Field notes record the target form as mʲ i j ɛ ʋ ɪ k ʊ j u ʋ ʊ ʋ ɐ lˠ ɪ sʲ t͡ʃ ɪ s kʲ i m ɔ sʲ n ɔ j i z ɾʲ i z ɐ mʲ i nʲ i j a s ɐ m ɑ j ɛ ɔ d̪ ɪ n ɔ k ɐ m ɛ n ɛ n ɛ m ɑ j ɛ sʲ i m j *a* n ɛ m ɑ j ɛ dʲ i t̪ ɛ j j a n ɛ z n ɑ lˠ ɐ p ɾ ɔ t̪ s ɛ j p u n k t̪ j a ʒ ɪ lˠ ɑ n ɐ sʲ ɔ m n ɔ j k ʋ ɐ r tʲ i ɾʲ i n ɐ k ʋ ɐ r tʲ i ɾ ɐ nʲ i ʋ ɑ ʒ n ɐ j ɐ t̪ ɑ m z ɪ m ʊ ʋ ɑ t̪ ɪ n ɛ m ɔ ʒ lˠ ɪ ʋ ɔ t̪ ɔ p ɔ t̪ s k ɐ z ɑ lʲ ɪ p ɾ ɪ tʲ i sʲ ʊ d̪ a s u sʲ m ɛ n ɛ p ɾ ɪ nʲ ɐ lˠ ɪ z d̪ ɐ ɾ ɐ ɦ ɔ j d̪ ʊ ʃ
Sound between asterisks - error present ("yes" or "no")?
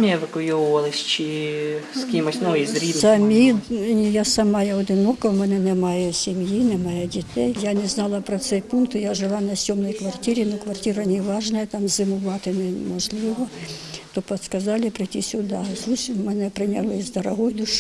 yes